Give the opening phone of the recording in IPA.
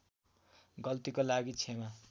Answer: ɡ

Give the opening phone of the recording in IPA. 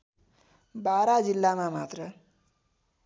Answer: b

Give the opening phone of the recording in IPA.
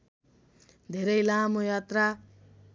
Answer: d̪ʱ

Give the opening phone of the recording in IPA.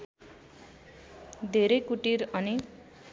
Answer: d̪ʱ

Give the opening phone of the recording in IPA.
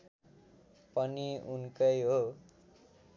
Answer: p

